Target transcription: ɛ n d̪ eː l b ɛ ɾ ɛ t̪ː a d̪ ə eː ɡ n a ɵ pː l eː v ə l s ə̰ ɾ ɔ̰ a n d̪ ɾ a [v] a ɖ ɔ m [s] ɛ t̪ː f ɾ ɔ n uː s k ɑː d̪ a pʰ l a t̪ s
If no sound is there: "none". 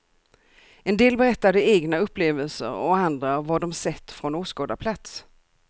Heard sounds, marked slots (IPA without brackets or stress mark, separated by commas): v, s